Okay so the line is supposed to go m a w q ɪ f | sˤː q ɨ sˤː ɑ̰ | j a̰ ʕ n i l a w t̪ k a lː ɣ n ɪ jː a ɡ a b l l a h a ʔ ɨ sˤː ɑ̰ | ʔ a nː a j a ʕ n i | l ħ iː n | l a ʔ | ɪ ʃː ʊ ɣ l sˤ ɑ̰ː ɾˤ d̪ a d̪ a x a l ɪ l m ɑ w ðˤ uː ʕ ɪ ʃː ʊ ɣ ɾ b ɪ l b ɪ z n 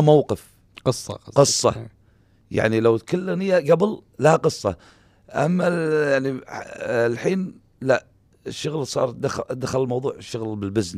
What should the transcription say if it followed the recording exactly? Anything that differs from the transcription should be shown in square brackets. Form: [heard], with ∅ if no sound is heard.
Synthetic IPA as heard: m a w q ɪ f | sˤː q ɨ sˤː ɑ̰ | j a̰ ʕ n i l a w t̪ k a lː ɣ n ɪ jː a ɡ a b l l a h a [q] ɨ sˤː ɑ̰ | ʔ a [mː] a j a ʕ n i | l ħ iː n | l a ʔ | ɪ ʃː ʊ ɣ l sˤ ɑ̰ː ɾˤ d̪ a d̪ a x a l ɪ l m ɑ w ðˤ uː ʕ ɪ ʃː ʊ ɣ [l] b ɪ l b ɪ z n